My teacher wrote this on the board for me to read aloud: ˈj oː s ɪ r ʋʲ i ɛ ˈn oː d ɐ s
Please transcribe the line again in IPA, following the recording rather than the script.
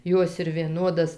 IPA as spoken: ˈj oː s ɪ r ʋʲ i ɛ ˈn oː d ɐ s